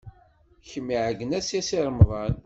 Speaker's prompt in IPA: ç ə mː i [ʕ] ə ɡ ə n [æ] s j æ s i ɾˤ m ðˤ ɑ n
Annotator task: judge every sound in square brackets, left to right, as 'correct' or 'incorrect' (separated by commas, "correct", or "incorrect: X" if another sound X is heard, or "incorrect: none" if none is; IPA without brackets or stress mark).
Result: correct, correct